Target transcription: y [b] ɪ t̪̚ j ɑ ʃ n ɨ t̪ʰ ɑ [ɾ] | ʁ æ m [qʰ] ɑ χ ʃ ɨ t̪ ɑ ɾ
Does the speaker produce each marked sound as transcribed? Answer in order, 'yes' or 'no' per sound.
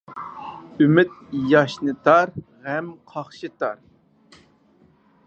no, yes, yes

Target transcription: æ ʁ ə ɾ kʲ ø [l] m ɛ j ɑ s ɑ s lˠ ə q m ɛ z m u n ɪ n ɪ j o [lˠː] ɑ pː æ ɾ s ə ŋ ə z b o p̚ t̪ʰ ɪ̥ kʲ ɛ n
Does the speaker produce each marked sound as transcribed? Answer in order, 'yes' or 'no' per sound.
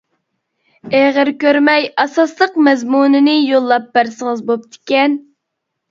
no, yes

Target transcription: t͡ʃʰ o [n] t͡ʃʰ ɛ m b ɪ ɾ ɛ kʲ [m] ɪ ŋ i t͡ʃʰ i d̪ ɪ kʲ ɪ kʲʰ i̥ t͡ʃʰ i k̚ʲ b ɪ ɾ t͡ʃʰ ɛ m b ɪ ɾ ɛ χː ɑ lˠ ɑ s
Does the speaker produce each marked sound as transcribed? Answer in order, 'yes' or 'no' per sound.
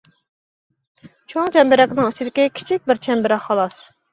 no, no

